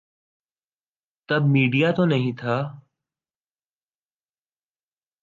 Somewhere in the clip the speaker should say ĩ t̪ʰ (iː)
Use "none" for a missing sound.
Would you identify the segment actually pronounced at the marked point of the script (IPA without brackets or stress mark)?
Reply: aː